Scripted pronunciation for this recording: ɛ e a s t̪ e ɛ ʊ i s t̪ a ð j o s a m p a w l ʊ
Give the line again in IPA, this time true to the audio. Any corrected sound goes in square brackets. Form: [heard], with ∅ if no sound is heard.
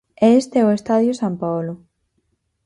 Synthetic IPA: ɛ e [e] s t̪ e ɛ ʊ [e] s t̪ a ð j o s a m p a w l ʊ